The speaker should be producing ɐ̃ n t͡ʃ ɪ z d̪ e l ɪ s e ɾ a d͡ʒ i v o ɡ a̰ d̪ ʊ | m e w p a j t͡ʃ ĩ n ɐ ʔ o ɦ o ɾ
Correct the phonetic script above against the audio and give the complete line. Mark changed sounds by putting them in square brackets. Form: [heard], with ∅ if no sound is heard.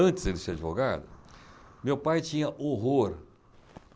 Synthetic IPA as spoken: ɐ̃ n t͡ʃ ɪ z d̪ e l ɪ s e ɾ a d͡ʒ i v o ɡ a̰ d̪ ʊ | m e w p a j t͡ʃ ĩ [ɲ] ɐ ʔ o ɦ o ɾ